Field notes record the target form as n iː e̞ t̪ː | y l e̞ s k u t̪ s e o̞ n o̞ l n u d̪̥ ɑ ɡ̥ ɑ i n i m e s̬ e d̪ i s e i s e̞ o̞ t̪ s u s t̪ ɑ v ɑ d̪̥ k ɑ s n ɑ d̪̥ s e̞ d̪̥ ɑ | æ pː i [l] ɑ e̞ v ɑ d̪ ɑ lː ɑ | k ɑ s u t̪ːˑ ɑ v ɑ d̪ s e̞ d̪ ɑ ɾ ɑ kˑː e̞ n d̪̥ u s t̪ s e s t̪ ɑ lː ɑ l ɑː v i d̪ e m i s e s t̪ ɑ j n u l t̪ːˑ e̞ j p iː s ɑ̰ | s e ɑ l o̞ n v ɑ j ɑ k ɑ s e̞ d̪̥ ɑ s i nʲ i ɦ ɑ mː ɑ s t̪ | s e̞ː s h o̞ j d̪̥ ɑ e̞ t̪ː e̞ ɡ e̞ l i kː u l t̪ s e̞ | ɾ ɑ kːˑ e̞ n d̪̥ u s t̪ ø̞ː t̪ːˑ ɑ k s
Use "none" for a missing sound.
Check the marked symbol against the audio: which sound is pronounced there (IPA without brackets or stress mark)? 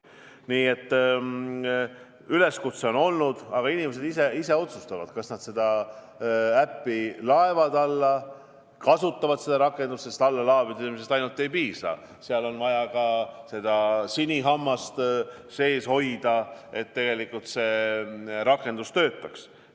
l